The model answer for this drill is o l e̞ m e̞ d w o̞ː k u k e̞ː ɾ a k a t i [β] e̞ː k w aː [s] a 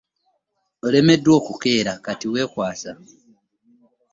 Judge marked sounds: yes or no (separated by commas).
no, yes